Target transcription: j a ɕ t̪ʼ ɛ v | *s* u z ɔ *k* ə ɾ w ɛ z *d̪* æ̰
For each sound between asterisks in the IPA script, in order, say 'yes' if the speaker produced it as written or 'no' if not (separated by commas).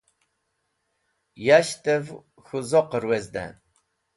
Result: no, no, yes